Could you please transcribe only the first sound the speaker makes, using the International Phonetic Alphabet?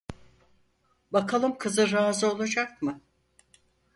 b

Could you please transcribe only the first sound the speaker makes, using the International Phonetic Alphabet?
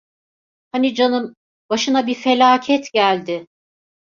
h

